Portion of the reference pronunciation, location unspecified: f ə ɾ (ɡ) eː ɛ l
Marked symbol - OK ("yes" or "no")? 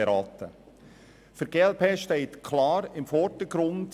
yes